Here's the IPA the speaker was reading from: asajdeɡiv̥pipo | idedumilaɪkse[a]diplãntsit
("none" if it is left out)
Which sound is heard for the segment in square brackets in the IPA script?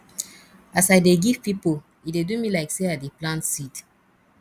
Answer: a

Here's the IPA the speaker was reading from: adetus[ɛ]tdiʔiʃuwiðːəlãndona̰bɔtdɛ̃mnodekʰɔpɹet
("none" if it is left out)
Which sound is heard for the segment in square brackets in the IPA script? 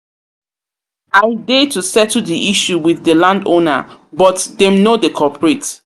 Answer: ɛ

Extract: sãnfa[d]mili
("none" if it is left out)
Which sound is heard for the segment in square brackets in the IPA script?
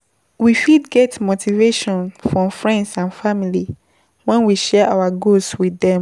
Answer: none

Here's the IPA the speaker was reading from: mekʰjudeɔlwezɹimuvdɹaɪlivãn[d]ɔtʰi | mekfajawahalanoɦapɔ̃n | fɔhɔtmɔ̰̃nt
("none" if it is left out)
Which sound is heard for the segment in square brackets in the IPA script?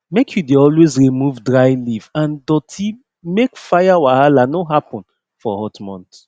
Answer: d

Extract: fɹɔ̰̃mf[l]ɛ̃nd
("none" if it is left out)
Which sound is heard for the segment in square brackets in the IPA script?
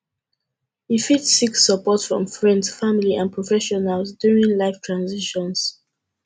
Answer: ɹ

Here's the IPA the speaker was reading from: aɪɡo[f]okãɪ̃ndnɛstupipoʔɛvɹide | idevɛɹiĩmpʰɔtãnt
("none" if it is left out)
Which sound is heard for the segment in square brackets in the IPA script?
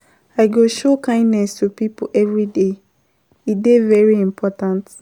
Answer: ʃ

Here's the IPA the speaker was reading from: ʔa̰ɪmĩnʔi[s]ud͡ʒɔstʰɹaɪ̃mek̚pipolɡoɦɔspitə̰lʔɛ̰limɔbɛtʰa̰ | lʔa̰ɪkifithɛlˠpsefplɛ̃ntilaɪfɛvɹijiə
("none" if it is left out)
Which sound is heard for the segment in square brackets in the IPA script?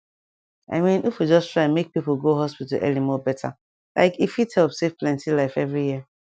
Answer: f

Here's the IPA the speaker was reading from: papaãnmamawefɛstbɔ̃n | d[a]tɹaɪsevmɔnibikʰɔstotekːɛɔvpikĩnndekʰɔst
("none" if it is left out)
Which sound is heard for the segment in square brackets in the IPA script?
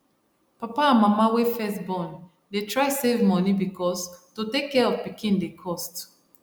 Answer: e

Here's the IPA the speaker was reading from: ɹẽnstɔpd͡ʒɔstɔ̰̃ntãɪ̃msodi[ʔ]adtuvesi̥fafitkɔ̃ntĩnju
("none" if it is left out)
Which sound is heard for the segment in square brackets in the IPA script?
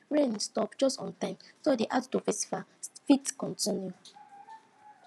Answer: ʔ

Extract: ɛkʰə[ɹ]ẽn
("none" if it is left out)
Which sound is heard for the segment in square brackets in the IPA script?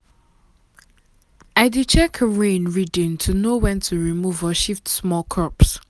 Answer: ɹ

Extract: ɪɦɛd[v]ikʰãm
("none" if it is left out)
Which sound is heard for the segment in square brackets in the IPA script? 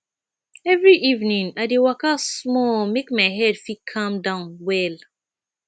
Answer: f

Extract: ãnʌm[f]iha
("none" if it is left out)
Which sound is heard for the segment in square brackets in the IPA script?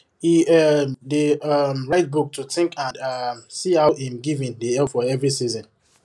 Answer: s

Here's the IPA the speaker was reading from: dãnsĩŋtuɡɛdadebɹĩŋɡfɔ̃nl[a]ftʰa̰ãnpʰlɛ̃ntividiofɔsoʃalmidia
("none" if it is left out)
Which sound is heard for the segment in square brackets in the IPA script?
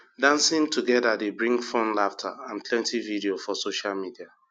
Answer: a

